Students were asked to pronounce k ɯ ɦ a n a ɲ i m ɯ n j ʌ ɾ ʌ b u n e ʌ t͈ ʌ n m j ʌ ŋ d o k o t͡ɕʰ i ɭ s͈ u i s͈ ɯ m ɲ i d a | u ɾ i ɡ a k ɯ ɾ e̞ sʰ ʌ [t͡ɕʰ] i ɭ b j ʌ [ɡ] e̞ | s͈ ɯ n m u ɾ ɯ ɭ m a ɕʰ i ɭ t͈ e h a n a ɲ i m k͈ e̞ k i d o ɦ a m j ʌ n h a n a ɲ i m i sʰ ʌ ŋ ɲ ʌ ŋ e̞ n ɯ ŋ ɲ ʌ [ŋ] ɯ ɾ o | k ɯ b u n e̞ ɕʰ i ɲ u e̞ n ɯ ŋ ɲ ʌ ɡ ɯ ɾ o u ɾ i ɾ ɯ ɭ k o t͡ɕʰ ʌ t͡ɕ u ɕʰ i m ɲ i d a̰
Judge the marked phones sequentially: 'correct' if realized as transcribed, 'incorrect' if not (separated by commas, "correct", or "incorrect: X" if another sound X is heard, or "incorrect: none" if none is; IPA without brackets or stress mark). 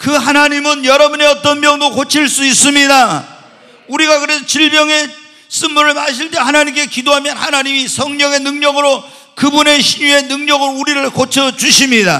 incorrect: t͡ɕ, incorrect: ŋ, incorrect: ɡ